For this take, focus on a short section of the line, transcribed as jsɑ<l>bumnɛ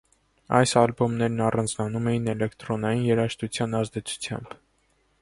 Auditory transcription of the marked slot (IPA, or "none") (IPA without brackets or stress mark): l